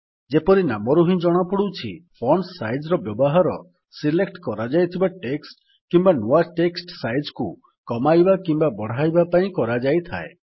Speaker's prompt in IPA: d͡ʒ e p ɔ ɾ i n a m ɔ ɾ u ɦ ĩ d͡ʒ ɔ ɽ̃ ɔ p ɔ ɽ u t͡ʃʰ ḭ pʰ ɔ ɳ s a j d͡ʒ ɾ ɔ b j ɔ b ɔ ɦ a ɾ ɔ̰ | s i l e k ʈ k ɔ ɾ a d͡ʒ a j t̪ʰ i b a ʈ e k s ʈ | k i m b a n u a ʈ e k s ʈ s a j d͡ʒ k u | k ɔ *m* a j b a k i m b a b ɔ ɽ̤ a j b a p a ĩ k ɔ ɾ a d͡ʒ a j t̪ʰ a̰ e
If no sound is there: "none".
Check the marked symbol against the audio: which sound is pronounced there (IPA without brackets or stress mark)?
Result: m